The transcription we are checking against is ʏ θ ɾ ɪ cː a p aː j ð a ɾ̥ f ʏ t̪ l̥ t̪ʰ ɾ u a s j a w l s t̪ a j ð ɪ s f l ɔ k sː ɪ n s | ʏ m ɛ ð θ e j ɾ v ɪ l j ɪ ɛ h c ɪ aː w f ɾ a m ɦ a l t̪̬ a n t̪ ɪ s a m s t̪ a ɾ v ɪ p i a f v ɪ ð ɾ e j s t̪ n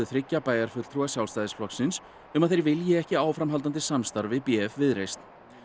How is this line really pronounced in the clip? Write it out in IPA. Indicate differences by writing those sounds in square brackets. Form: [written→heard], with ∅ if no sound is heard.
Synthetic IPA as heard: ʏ θ ɾ ɪ cː a p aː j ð a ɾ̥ f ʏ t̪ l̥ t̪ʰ ɾ u a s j a w l s t̪ a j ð ɪ s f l ɔ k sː ɪ n s | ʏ m [ɛ→a] ð θ e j ɾ v ɪ l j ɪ ɛ h c ɪ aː w f ɾ a m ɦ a l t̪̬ a n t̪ ɪ s a m s t̪ a ɾ v ɪ p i [a→ɛ] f v ɪ ð ɾ e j s t̪ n